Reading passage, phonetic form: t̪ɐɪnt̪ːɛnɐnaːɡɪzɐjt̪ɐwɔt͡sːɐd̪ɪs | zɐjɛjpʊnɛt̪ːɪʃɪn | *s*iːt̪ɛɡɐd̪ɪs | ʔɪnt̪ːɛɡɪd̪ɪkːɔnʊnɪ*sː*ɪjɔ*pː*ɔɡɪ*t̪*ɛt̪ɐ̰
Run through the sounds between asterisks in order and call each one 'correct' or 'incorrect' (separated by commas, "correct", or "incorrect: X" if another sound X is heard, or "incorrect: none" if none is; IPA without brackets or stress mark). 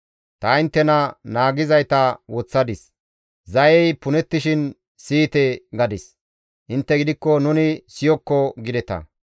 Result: correct, incorrect: s, incorrect: kː, incorrect: d̪